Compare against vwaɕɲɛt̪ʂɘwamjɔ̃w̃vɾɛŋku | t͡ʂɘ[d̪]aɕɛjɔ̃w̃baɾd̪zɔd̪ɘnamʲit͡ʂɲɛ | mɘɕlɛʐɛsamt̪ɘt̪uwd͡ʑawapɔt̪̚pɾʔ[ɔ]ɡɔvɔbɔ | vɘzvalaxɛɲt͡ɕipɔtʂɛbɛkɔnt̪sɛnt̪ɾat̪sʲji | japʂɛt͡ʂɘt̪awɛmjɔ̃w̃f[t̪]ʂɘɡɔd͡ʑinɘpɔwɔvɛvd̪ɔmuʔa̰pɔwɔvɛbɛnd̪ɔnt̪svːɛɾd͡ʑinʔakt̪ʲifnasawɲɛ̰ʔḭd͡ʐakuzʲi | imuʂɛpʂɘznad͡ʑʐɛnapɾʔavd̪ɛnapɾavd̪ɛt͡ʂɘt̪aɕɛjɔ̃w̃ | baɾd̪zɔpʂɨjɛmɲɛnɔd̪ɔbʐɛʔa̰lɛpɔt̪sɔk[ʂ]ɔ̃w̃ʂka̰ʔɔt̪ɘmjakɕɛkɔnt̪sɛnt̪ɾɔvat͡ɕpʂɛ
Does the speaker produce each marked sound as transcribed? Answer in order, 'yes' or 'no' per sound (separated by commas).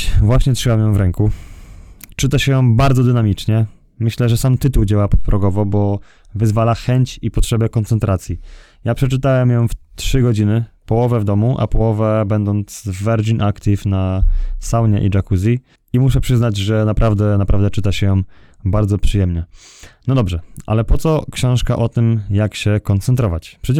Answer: no, yes, yes, no